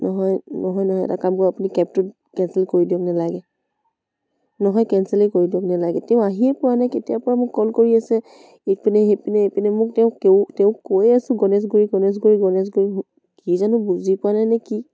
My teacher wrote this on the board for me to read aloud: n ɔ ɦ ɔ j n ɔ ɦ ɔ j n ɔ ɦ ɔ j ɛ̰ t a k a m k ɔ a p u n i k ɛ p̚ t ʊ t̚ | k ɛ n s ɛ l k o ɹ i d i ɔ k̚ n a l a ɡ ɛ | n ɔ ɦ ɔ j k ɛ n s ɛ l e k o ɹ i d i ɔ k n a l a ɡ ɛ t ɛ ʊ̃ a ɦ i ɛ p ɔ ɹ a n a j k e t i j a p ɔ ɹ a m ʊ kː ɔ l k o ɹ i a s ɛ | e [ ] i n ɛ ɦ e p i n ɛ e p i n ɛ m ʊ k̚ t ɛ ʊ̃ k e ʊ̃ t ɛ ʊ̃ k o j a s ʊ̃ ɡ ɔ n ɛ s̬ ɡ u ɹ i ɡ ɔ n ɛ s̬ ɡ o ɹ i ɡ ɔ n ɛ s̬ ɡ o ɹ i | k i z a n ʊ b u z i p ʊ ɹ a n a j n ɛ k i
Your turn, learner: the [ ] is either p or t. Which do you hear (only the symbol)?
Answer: p